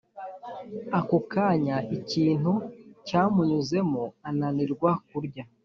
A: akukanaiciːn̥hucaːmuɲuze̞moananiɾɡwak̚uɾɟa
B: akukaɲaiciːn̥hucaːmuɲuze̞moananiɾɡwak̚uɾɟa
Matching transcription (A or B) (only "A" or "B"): B